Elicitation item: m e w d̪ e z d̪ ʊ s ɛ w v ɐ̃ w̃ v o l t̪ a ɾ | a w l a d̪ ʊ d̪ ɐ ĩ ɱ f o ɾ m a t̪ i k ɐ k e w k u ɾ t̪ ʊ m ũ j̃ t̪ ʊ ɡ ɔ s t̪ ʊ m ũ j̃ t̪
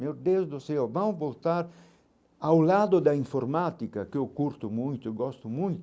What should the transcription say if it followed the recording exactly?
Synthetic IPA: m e w d̪ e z d̪ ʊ s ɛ w v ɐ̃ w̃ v o l t̪ a ɾ | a w l a d̪ ʊ d̪ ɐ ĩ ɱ f o ɾ m a t̪ i k ɐ k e w k u ɾ t̪ ʊ m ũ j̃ t̪ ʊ ɡ ɔ s t̪ ʊ m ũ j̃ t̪